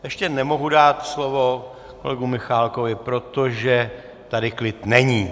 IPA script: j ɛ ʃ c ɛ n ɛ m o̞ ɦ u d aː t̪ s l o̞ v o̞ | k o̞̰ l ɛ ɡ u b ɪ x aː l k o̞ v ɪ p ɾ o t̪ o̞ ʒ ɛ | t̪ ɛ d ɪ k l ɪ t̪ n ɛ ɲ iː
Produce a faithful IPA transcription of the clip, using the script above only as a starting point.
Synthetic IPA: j ɛ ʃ c ɛ n ɛ m o̞ ɦ u d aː t̪ s l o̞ v o̞ | k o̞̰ l ɛ ɡ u m ɪ x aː l k o̞ v ɪ p ɾ o t̪ o̞ ʒ ɛ | t̪ a d ɪ k l ɪ t̪ n ɛ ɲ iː